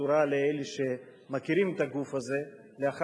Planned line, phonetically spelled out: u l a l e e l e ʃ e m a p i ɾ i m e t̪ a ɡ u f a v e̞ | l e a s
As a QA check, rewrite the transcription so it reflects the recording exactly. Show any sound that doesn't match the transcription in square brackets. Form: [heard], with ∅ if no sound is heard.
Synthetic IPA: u [ɾ] a l e e l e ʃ e m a [k] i ɾ i m e t̪ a ɡ u f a [z] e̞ | l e a [χ]